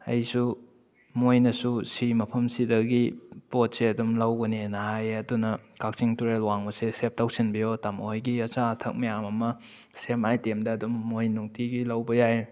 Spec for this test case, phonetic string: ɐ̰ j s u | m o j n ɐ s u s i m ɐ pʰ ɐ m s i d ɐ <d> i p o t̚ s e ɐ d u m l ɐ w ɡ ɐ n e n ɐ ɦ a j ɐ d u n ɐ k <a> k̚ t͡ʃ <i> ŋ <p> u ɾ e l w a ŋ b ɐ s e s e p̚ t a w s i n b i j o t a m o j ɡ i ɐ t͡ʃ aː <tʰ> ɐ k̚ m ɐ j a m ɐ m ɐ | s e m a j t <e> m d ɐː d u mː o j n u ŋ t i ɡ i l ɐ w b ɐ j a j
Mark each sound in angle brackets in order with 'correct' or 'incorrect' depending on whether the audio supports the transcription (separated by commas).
incorrect, correct, correct, incorrect, correct, correct